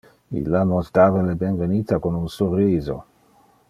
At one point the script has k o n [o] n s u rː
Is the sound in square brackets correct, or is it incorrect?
incorrect